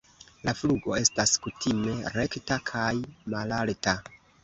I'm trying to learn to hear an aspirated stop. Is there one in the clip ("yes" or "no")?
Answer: yes